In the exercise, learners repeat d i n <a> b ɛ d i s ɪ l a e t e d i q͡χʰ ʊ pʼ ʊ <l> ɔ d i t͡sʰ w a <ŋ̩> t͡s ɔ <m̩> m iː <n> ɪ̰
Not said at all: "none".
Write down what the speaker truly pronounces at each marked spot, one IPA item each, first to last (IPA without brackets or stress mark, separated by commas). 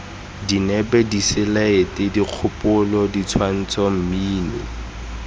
ɛ, l, n̩, m̩, n